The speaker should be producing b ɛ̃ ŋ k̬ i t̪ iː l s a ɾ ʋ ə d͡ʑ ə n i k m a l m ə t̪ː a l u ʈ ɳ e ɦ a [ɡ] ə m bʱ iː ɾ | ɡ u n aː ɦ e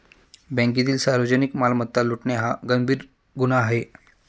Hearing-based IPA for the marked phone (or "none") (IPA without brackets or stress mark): ɡ